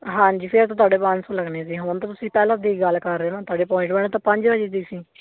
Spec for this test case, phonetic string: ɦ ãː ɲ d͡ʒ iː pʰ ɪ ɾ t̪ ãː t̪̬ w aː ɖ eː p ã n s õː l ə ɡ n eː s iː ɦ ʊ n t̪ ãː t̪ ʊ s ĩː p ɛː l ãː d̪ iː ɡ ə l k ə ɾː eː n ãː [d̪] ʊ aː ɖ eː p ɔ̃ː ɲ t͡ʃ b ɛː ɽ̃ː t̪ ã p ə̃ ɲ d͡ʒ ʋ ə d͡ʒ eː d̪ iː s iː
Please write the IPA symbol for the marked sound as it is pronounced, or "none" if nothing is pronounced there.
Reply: t̪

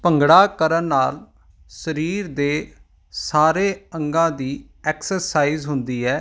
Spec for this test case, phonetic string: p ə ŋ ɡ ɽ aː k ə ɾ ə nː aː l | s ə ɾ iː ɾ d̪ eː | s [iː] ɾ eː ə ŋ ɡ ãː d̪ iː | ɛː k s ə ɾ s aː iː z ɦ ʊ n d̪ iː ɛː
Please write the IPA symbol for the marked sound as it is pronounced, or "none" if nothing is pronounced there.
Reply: aː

